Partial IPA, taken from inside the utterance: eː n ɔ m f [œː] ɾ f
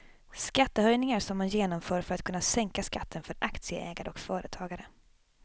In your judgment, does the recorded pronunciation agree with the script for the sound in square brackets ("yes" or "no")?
yes